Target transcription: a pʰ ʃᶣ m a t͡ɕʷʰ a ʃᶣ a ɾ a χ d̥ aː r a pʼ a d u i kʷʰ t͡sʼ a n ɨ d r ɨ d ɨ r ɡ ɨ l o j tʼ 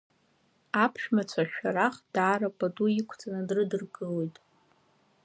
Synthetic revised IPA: a pʰ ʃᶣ m a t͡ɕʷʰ a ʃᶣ a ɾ a χ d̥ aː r a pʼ a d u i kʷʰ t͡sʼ a n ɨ d r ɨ d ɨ r ɡ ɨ l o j tʼ